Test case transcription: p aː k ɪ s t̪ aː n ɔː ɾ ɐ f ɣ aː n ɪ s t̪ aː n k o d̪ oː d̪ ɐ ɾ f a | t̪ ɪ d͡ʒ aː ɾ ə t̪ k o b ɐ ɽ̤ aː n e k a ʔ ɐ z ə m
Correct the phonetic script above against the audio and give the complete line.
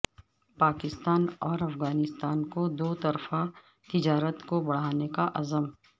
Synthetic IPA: p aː k ɪ s t̪ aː n ɔː ɾ ɐ f ɣ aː n ɪ s t̪ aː n k o d̪ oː t̪ ɐ ɾ f a | t̪ ɪ d͡ʒ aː ɾ ə t̪ k o b ɐ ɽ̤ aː n e k a ʔ ɐ z ə m